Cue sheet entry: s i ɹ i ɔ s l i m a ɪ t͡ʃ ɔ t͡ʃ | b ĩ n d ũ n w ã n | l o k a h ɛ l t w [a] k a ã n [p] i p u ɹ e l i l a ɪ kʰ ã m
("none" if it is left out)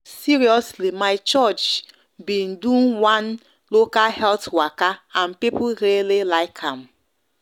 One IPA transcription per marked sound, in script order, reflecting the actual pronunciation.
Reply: a, p

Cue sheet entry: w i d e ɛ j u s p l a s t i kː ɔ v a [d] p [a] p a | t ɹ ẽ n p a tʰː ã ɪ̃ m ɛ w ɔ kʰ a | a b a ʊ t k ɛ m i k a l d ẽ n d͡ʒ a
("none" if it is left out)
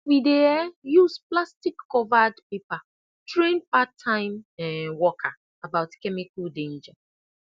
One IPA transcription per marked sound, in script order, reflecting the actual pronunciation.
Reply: d, e

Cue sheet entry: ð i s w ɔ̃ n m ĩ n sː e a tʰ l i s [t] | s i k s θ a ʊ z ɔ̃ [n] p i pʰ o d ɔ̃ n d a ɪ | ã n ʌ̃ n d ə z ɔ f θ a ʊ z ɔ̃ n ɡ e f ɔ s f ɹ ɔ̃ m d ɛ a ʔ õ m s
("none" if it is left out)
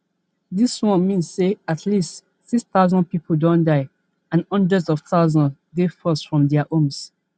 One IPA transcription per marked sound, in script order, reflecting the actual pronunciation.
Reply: t, n

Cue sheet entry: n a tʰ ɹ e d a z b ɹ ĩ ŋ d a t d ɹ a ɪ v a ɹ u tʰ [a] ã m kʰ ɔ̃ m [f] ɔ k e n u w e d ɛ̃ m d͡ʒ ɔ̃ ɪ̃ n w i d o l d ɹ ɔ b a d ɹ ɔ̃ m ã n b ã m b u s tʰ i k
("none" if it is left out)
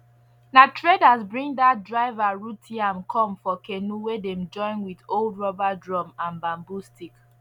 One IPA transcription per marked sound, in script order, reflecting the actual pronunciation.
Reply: i, f

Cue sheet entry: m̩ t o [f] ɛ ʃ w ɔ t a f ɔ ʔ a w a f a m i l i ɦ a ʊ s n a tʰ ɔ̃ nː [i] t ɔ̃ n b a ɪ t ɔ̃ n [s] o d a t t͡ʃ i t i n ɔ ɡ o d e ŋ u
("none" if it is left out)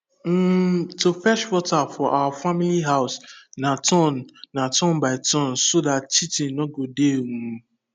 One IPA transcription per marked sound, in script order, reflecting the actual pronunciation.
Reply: f, a, s

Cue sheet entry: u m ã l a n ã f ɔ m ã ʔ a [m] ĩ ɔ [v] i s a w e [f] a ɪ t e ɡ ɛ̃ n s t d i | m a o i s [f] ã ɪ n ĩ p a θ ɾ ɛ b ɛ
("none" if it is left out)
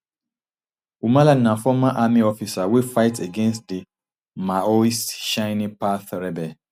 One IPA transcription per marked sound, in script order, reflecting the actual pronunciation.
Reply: m, f, f, ʃ

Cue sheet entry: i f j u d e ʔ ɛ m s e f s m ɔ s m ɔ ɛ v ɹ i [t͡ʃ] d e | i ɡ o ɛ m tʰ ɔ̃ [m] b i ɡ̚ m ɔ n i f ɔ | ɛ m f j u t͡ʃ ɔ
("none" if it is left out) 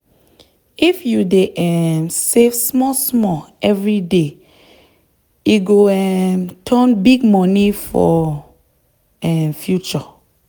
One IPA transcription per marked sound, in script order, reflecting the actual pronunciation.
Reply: none, n

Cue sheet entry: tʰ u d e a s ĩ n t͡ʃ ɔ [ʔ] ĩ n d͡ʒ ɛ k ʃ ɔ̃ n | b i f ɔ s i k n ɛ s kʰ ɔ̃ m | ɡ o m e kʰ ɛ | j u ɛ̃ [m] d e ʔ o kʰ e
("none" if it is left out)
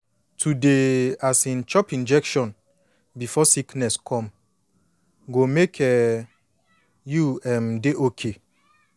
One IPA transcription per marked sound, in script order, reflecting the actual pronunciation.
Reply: p, m

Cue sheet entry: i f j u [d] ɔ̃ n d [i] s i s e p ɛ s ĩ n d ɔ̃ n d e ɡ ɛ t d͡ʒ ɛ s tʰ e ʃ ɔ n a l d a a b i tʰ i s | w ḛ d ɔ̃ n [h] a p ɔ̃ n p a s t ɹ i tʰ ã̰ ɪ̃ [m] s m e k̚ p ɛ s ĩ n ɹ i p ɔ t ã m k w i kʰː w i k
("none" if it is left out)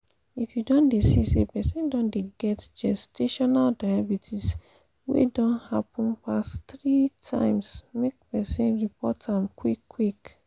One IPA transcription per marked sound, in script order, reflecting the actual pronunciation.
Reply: d, e, h, m

